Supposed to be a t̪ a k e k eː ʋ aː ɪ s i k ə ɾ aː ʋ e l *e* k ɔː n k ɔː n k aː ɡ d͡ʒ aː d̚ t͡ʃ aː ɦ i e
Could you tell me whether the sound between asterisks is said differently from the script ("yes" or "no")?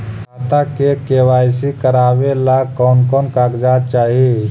yes